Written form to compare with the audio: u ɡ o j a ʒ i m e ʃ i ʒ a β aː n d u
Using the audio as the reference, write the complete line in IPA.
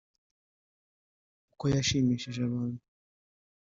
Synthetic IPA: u k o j a ʃ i m i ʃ a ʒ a β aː n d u